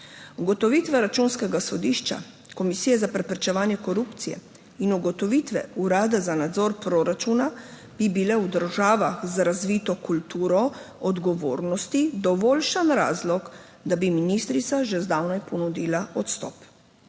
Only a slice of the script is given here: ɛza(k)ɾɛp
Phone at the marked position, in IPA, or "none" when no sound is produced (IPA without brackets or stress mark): p